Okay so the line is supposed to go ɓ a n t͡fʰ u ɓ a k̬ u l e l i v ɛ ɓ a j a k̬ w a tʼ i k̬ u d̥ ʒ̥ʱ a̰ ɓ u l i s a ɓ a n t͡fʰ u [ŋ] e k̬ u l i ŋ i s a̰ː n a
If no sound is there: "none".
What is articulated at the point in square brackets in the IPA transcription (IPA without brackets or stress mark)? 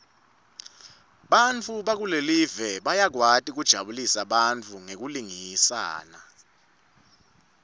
ŋ